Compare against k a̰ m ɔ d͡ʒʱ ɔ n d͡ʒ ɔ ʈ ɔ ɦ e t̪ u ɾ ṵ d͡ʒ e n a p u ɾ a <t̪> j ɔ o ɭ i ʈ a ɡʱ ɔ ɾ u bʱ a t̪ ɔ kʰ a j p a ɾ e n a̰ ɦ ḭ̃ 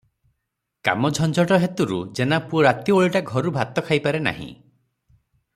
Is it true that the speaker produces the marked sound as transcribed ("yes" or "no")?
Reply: yes